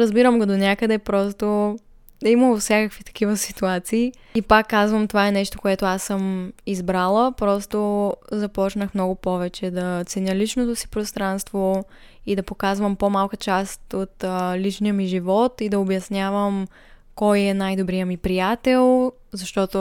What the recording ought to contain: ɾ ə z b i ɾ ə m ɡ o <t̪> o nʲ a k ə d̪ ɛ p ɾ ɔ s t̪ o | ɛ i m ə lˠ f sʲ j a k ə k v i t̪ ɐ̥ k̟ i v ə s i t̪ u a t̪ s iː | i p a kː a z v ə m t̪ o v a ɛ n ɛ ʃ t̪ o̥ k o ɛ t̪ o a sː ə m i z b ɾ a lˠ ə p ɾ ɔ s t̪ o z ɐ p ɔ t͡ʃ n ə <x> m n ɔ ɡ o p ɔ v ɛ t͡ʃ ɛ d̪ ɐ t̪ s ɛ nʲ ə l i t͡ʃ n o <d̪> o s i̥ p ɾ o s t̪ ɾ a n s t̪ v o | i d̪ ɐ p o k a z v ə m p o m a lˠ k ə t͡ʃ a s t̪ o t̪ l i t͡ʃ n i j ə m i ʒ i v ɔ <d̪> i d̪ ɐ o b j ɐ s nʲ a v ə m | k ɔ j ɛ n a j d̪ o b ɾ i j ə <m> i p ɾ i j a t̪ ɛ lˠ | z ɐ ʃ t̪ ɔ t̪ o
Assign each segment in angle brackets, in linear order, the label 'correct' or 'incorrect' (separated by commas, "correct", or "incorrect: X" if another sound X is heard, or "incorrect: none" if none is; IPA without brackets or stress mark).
incorrect: d̪, correct, incorrect: t̪, incorrect: t̪, correct